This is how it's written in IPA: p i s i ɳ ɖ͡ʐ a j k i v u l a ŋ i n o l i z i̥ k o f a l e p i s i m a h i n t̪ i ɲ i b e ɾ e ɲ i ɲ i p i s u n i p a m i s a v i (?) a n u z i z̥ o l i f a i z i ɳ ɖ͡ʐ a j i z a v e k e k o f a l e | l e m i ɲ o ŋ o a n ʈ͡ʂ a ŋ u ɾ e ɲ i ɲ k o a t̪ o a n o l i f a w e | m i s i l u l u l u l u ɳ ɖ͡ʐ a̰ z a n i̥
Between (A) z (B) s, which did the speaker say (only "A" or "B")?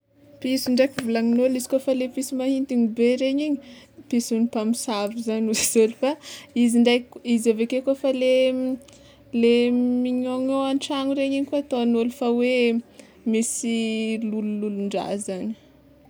A